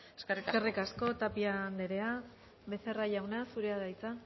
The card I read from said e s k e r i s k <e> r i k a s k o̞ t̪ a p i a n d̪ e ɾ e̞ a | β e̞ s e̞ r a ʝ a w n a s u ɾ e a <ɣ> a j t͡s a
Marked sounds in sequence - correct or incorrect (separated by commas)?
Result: correct, incorrect